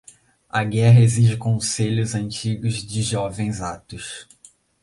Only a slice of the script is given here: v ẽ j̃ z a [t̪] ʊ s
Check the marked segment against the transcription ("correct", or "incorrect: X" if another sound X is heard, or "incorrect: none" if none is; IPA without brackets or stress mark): correct